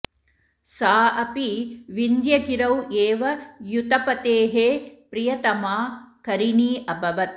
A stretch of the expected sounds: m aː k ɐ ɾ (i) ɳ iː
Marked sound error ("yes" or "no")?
no